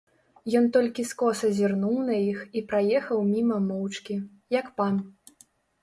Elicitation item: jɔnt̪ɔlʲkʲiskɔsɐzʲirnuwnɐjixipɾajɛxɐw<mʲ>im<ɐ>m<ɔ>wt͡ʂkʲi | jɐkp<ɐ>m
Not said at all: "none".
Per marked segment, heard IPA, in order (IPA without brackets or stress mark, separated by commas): mʲ, ɐ, ɔ, a